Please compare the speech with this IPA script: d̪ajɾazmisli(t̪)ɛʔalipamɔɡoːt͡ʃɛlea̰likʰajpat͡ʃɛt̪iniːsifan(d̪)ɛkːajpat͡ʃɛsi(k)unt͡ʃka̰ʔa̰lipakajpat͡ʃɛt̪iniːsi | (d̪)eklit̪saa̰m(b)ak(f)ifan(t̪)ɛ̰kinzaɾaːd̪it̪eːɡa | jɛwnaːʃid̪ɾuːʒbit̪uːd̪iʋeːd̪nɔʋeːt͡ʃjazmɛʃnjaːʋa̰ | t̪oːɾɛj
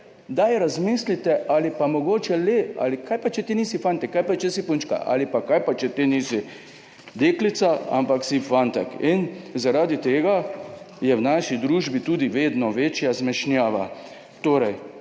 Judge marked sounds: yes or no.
yes, no, no, yes, no, no, yes

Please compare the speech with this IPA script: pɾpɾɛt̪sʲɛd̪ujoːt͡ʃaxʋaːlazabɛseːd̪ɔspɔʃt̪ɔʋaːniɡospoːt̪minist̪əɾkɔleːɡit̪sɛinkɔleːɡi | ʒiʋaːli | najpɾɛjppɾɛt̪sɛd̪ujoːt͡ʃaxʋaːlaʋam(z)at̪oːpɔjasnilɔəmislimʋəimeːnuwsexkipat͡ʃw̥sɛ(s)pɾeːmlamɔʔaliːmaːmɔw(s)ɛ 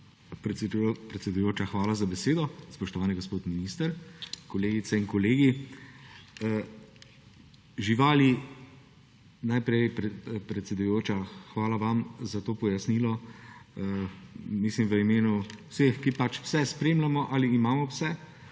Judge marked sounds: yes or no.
yes, yes, yes

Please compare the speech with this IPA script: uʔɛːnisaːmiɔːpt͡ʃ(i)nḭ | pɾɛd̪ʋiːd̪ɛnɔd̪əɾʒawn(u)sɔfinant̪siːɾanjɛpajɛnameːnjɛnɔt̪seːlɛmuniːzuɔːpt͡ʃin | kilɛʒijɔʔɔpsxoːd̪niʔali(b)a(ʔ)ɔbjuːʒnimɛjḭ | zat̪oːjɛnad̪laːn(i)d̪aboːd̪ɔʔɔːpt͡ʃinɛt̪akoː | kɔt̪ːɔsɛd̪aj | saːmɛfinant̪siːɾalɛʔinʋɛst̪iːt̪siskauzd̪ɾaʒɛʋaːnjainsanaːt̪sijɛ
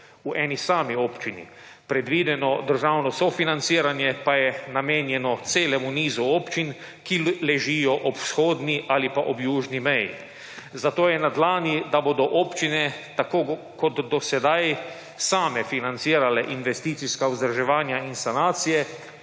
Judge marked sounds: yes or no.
yes, no, no, yes, yes

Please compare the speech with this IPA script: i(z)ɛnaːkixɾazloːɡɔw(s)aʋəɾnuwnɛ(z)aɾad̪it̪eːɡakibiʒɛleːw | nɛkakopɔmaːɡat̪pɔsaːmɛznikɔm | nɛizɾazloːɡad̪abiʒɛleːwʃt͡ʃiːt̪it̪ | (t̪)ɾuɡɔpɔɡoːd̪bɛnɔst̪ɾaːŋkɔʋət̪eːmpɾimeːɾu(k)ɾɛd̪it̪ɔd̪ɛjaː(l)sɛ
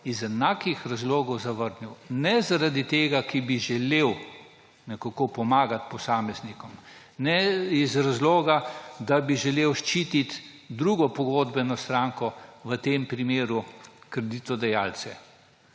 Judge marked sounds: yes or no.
yes, no, yes, no, yes, yes

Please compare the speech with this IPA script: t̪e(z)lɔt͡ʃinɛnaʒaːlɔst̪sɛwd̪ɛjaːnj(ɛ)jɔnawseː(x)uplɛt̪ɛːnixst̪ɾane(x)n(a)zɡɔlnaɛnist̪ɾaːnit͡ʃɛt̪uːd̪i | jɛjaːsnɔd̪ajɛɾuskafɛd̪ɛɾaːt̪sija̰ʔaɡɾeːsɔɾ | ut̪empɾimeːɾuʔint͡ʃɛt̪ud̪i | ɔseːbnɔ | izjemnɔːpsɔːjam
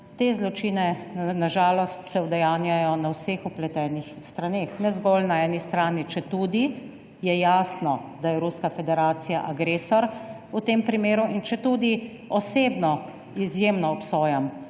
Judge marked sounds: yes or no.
yes, no, yes, yes, no

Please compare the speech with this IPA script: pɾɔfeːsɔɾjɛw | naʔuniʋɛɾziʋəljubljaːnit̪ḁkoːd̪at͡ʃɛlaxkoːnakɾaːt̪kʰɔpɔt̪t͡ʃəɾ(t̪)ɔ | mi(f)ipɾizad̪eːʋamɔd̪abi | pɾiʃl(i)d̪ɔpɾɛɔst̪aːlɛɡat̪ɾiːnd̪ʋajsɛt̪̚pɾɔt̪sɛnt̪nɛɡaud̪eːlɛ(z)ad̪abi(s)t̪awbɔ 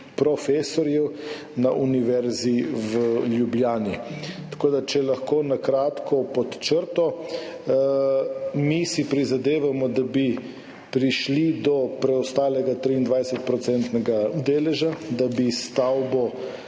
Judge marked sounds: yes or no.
yes, no, yes, no, yes

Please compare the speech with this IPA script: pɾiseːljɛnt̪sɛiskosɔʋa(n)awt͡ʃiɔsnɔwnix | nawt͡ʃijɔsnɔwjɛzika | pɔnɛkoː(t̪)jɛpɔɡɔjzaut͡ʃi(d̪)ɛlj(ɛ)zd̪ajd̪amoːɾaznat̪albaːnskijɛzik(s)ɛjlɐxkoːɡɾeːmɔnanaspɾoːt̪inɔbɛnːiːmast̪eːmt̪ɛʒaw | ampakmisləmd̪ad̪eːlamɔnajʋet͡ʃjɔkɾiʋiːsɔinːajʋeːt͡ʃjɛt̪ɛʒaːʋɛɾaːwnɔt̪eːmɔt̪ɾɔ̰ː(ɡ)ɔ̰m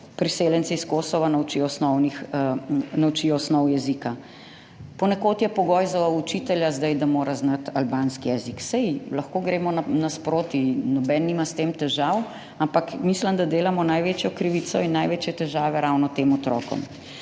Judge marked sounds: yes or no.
yes, yes, no, no, yes, no

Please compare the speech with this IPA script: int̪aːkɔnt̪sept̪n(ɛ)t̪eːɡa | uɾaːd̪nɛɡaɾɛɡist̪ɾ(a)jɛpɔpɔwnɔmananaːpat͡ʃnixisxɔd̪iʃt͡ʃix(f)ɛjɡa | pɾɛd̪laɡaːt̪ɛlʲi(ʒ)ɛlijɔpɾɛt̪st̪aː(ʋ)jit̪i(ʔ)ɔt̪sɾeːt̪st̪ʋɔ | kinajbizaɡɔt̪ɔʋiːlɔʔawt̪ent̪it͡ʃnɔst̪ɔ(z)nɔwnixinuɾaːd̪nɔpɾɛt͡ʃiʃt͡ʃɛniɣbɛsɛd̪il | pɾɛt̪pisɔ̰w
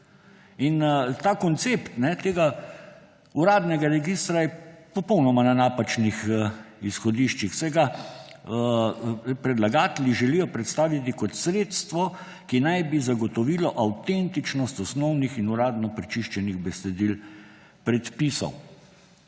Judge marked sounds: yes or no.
yes, yes, no, yes, yes, no, no

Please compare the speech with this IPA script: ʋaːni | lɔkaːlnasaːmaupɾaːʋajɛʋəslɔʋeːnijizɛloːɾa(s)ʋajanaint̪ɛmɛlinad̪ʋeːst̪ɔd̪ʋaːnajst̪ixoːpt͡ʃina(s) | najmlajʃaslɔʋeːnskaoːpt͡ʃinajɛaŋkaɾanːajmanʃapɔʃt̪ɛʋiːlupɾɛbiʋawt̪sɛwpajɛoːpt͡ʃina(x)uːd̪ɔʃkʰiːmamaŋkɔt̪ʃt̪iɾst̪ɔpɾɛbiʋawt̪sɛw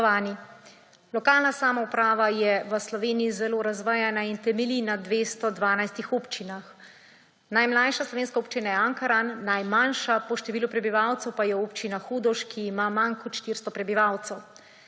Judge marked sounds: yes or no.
no, no, yes

